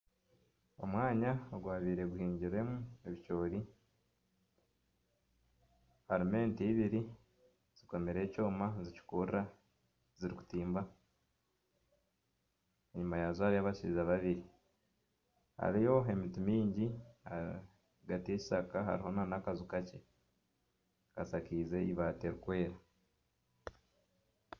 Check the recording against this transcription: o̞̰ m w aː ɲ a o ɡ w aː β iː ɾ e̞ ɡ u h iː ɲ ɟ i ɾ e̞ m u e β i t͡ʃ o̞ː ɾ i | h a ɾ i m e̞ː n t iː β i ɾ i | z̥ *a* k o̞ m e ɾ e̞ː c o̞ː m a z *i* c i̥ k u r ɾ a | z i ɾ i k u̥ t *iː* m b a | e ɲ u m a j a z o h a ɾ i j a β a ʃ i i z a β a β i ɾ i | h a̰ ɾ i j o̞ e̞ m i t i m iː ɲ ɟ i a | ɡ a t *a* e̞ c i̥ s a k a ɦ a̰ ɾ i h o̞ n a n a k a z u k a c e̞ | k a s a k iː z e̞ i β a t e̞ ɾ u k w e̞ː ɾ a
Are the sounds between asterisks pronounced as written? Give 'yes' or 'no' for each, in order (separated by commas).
no, yes, yes, no